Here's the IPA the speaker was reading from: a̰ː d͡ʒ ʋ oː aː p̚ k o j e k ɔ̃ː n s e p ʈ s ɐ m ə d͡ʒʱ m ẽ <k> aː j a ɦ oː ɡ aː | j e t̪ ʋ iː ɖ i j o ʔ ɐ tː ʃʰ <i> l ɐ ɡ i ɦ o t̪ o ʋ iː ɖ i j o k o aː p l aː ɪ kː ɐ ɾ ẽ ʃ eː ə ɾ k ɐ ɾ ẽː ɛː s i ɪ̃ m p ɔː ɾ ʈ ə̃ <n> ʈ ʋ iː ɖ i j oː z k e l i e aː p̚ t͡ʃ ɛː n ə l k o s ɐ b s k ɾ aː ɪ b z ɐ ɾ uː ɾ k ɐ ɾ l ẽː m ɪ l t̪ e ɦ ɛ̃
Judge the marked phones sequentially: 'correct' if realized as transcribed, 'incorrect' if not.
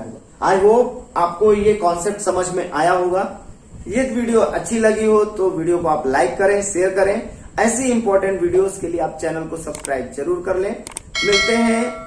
incorrect, correct, incorrect

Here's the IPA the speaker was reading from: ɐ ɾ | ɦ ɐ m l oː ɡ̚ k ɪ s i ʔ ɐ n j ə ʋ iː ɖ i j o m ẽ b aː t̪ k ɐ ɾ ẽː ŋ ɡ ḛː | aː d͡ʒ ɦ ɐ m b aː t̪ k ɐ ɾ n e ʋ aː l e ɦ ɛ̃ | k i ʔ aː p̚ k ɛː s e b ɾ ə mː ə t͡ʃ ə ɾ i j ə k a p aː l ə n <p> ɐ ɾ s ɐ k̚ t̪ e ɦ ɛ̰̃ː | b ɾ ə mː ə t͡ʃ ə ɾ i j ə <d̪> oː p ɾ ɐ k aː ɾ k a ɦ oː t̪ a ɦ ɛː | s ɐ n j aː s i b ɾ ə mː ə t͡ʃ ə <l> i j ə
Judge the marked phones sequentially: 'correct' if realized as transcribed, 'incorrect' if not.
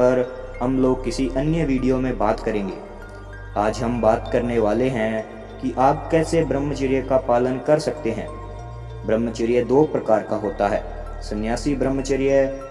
incorrect, correct, incorrect

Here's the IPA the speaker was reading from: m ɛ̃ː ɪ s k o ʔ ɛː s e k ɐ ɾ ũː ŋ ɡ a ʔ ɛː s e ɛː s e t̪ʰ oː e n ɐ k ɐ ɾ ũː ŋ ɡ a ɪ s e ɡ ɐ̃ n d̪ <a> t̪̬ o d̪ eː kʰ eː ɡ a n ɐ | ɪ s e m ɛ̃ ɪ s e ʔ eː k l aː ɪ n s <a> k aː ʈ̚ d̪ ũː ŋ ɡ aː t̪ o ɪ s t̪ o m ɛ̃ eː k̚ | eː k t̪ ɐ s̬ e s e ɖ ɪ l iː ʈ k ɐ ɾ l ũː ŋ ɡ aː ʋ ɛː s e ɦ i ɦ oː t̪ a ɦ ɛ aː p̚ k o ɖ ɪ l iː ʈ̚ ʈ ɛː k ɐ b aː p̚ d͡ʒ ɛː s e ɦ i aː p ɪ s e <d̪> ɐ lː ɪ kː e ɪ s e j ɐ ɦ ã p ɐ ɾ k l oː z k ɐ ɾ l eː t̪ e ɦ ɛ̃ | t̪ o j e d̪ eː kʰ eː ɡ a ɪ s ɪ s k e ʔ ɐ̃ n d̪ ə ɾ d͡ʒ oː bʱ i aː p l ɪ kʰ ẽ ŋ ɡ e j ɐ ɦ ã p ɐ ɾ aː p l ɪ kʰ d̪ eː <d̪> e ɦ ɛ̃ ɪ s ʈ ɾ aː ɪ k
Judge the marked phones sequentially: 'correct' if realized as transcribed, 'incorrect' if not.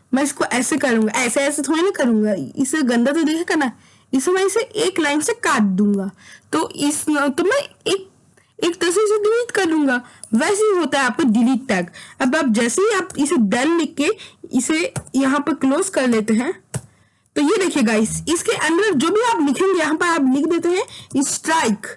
correct, incorrect, correct, incorrect

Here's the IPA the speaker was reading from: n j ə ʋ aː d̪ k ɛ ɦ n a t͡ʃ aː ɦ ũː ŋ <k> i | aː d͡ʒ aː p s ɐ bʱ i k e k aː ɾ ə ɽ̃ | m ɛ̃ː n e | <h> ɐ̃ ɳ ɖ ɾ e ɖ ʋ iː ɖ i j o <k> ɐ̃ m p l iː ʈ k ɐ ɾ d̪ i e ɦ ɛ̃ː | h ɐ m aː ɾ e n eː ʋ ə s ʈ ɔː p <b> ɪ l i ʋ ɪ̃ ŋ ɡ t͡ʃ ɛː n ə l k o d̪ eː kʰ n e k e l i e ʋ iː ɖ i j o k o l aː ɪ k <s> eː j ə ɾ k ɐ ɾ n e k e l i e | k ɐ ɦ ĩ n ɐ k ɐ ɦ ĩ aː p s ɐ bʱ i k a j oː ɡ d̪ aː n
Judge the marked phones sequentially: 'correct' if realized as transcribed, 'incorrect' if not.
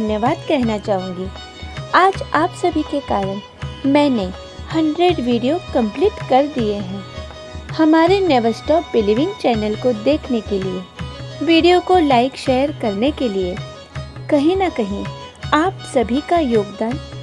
incorrect, correct, correct, correct, incorrect

